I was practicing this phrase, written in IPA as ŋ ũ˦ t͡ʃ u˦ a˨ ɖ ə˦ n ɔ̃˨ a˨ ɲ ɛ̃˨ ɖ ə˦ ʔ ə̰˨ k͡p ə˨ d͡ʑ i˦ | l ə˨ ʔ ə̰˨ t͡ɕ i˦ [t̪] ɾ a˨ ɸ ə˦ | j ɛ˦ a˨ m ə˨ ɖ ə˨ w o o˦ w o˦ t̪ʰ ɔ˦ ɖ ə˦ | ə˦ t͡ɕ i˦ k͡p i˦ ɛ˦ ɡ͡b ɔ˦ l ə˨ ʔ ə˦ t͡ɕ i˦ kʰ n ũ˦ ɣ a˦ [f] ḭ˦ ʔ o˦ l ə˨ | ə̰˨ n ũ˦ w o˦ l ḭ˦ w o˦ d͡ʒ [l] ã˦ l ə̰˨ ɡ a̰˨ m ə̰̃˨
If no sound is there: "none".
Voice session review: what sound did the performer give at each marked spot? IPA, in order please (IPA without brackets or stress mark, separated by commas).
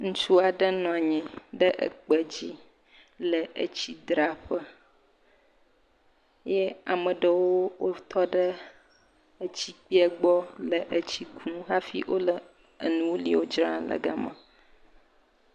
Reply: d̪, f, ɾ